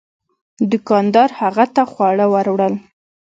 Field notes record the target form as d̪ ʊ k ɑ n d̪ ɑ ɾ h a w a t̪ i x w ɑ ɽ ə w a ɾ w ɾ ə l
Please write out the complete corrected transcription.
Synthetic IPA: d̪ ʊ k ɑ n d̪ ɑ ɾ h a ɣ a t̪ a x w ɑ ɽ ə w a ɾ w ɽ ə l

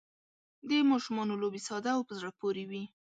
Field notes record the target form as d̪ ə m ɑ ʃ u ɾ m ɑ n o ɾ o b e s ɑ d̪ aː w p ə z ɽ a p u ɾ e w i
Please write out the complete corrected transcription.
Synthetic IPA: d̪ ə m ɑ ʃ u m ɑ n o l o b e s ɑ d̪ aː w p ə z ɽ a p o ɾ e w i

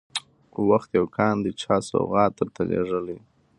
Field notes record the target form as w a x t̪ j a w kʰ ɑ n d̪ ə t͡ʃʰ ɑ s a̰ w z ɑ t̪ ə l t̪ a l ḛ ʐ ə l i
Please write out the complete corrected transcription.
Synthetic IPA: w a x t̪ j a w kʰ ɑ n d̪ ə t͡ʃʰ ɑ s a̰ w ɣ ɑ t̪ ə ɾ t̪ a l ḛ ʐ ə l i

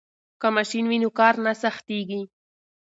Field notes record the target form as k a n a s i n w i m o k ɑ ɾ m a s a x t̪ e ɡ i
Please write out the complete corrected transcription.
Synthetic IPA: k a m a ʃ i n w i n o k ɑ ɾ n a s a x t̪ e ɡ i

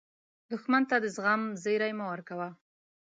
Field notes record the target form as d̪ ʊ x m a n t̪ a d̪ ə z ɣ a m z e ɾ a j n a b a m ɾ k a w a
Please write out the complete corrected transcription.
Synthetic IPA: d̪ ʊ x m a n t̪ a d̪ ə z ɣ a m z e ɾ a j m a w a ɾ k a w a

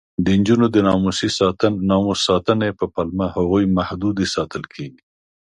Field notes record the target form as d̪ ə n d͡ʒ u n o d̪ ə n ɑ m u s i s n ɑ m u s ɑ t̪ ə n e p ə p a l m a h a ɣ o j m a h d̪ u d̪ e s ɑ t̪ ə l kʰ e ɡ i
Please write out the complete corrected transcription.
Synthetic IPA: d̪ ə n d͡ʒ u n o d̪ ə n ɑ m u s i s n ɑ m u s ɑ t̪ ə n e p ə p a l m a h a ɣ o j m a h d̪ u d̪ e s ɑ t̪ ə l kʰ e ɡ i

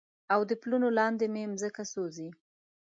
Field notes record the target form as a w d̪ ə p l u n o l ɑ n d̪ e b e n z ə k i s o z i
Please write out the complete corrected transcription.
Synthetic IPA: a w d̪ ə p l u n o l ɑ n d̪ e m e m z ə k a s o z i

